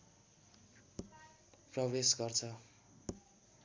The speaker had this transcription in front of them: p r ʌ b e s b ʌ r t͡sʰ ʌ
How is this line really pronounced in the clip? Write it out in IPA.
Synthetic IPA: p r ʌ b e s ɡ ʌ r t͡sʰ ʌ